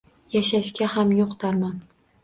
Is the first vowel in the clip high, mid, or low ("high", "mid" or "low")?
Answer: low